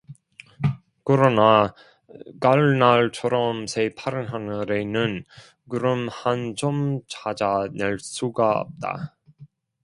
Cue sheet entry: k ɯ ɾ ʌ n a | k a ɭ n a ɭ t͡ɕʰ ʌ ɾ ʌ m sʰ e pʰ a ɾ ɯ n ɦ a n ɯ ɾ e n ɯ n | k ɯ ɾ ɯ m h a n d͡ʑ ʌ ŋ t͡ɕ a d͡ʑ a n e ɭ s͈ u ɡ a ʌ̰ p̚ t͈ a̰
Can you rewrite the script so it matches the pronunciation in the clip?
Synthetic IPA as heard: k ɯ ɾ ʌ n a | k a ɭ n a ɭ t͡ɕʰ ʌ ɾ ʌ m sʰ e pʰ a ɾ ɯ n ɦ a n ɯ ɾ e n ɯ n | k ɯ ɾ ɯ m h a n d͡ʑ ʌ m t͡ɕ a d͡ʑ a n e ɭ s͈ u ɡ a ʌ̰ p̚ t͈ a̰